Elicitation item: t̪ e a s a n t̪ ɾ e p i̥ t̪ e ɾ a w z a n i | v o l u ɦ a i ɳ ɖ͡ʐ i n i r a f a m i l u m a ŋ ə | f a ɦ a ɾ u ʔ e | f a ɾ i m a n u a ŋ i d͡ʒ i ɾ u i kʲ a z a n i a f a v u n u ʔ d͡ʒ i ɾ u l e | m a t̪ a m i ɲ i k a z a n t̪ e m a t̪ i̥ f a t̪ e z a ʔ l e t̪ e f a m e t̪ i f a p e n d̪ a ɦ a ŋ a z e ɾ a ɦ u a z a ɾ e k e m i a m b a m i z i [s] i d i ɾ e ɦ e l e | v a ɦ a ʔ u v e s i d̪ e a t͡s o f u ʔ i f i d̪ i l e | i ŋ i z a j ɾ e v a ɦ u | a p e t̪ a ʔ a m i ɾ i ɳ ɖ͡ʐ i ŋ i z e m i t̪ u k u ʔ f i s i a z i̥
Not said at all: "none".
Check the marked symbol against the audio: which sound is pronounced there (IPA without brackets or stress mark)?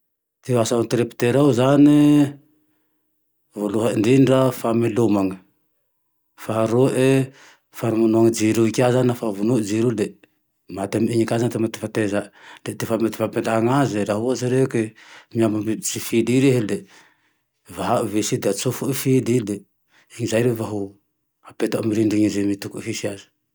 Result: f